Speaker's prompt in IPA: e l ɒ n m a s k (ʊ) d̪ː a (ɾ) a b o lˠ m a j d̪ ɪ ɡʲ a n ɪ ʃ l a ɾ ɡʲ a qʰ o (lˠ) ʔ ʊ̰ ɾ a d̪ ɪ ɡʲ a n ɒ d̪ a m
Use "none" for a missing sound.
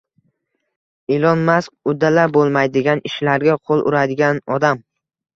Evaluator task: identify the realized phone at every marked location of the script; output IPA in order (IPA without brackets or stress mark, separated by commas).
ʊ, l, lˠ